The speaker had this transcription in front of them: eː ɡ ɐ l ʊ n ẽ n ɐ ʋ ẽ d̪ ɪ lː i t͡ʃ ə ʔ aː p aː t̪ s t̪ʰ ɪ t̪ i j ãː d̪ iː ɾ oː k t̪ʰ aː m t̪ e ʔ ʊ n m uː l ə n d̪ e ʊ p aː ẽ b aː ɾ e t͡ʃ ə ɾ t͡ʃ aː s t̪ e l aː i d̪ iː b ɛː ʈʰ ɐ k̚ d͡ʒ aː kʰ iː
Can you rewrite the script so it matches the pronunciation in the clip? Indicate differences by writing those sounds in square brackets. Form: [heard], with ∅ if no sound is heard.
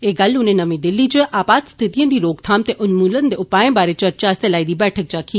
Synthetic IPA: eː ɡ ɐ l ʊ n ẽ n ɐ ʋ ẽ d̪ ɪ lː i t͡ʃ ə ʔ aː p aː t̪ s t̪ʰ ɪ t̪ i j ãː d̪ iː ɾ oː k t̪ʰ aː m t̪ e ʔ ʊ n m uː l ə n d̪ e ʊ p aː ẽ b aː ɾ e t͡ʃ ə ɾ t͡ʃ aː s t̪ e l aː i d̪ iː b ɛː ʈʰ [ə] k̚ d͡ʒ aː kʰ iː